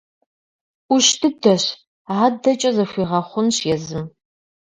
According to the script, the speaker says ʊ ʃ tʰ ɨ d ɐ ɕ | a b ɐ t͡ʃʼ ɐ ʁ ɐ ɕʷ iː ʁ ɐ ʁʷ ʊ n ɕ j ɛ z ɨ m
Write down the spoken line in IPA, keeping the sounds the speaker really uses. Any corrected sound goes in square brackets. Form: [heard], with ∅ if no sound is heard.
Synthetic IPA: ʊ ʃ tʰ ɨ d ɐ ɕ | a [d] ɐ t͡ʃʼ ɐ [z] ɐ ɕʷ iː ʁ ɐ [χʷ] ʊ n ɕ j ɛ z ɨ m